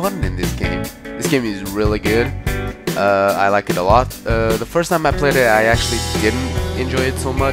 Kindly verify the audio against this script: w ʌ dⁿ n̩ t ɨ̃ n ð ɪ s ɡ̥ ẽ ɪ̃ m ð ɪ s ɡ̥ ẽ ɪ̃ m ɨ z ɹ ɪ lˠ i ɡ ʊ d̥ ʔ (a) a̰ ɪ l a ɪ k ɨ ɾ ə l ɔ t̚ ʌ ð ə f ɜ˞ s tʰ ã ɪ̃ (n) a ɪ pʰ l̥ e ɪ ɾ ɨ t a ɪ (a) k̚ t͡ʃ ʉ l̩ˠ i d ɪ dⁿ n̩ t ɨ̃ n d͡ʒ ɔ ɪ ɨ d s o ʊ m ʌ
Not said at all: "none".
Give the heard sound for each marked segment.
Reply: ʌ, m, æ

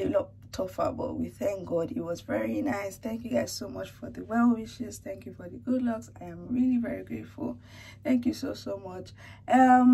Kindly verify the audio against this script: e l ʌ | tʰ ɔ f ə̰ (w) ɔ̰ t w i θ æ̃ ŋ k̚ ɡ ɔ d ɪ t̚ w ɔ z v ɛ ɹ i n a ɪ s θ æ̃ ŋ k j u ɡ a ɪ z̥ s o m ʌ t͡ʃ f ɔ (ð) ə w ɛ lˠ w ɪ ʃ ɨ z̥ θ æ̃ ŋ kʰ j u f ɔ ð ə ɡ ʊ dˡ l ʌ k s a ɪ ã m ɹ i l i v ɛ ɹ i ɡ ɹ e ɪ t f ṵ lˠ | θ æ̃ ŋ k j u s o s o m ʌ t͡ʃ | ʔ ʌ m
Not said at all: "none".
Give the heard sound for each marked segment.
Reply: b, ð

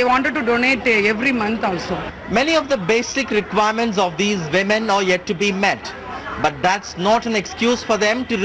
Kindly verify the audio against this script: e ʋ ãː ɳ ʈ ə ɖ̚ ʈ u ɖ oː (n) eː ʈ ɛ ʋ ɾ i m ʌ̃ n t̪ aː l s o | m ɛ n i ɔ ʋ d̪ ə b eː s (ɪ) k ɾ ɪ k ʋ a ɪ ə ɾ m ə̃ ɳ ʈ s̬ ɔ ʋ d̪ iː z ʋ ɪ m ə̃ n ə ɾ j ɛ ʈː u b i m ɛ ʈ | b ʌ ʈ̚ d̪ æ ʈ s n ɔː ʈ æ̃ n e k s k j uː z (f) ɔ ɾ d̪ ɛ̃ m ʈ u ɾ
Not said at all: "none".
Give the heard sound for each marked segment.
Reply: n, ɪ, f

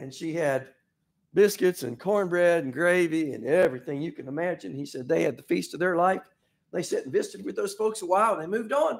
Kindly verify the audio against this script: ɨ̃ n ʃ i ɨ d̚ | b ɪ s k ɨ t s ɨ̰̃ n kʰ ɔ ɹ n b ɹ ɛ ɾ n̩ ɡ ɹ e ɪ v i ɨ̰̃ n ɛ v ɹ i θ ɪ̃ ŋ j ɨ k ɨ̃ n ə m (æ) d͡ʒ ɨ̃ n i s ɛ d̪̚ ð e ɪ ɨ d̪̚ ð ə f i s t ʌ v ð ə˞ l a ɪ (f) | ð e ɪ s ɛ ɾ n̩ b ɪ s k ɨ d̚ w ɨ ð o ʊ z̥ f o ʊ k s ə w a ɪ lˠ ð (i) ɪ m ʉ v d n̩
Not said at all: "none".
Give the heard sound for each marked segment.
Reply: æ, f, e

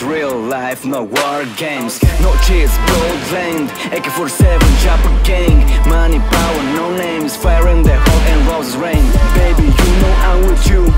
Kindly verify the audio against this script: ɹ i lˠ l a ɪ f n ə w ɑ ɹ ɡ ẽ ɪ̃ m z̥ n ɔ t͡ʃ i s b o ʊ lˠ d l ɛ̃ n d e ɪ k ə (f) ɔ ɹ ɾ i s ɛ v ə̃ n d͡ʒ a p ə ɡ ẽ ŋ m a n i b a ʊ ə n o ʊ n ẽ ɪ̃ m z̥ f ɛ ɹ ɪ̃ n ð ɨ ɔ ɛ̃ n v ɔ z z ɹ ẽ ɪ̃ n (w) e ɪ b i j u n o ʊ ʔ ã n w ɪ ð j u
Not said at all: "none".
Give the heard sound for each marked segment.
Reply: f, b

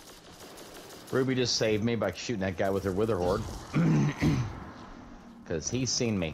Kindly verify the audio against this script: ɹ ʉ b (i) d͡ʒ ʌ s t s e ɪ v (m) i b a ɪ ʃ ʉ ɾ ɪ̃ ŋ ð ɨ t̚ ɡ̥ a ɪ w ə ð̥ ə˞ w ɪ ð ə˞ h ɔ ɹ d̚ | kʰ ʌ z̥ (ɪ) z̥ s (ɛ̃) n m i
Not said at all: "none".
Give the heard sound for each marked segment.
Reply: i, m, i, ĩ

